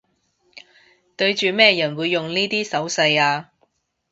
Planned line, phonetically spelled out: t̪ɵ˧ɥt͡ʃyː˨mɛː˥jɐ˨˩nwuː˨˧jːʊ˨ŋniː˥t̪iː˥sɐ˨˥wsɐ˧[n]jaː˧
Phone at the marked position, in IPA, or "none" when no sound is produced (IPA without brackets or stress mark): none